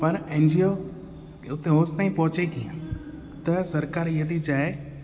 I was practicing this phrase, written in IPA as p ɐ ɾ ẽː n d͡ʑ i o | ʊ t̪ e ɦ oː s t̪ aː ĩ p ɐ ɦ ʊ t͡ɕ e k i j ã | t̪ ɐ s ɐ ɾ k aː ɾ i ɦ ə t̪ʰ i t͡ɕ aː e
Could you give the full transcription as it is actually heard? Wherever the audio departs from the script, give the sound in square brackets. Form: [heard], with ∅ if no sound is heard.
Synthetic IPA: p ɐ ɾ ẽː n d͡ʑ i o | ʊ t̪ e ɦ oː s t̪ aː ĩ p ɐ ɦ ʊ t͡ɕ e k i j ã | t̪ ɐ s ɐ ɾ k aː ɾ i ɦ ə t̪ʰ i t͡ɕ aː e